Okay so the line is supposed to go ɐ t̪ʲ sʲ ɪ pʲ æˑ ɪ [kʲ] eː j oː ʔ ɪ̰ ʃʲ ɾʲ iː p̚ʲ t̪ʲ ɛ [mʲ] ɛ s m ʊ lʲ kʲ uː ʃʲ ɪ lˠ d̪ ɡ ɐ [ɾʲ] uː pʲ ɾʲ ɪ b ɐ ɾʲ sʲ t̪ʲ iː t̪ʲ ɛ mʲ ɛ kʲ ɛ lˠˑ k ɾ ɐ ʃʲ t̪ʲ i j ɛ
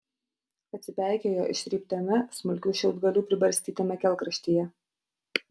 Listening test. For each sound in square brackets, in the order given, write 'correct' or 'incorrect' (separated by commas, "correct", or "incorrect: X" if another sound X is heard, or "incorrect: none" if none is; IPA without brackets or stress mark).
correct, correct, incorrect: lʲ